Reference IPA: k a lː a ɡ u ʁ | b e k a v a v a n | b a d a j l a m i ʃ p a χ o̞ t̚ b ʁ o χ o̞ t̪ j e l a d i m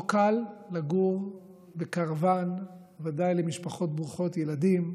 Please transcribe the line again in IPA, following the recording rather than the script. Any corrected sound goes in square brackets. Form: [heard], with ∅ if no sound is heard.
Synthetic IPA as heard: k a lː a ɡ u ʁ | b e k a [ʁ] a v a n | [v] a d a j l [e] m i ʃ p a χ o̞ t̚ b ʁ [u] χ o̞ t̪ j e l a d i m